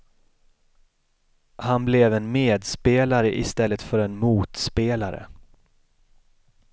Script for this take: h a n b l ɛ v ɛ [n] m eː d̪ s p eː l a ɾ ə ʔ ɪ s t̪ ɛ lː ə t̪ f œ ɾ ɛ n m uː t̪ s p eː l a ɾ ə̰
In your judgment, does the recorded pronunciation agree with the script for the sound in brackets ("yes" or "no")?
yes